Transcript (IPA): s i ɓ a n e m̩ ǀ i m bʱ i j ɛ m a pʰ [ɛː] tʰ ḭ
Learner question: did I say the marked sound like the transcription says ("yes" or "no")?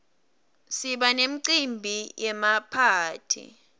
no